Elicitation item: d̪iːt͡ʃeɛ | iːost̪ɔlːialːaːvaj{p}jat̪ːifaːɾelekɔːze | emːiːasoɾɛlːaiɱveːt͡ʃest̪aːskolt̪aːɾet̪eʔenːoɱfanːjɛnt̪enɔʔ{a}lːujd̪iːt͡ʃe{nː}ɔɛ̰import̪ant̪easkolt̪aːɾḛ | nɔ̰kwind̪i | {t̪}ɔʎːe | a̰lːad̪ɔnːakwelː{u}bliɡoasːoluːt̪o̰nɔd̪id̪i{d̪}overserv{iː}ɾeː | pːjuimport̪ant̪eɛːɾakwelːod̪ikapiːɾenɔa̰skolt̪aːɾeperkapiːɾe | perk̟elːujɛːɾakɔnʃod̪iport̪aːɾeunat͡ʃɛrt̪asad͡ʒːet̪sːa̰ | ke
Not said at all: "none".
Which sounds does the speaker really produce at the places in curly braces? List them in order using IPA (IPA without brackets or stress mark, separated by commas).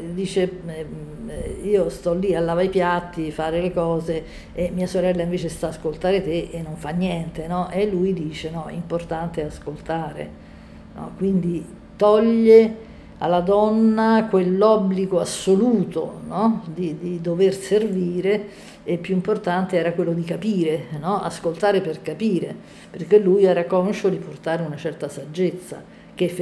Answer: p, e, n, t̪, ɔ, d̪, iː